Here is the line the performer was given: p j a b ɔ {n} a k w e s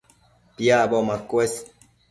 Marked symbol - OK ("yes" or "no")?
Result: no